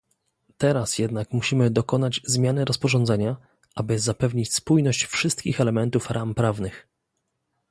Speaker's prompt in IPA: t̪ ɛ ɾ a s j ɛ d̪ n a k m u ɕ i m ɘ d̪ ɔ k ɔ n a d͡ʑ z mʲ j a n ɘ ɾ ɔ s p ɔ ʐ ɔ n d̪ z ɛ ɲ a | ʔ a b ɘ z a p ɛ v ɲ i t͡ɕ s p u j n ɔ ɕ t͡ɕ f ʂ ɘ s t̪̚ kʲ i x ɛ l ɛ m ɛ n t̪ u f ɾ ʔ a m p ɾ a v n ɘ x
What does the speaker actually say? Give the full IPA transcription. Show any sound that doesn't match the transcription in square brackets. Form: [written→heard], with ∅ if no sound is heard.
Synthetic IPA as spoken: t̪ ɛ ɾ a s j ɛ d̪ n a k m u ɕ i m ɘ d̪ ɔ k ɔ n a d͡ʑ z mʲ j a n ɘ ɾ ɔ s p ɔ ʐ ɔ n d̪ z ɛ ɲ a | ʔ a b ɘ z a p ɛ v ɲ i t͡ɕ s p u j n ɔ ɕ t͡ɕ f ʂ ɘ s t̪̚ kʲ i x ɛ l ɛ m ɛ n t̪ u f ɾ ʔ a m p ɾ a v n ɘ x